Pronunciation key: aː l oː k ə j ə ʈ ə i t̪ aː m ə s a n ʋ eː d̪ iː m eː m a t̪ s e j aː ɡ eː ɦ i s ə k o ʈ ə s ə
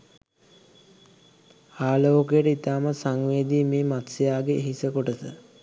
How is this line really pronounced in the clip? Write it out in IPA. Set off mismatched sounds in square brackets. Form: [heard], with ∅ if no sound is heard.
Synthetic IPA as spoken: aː l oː k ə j ə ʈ ə i t̪ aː m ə s a [ŋ] ʋ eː d̪ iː m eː m a t̪ s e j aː ɡ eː ɦ i s ə k o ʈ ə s ə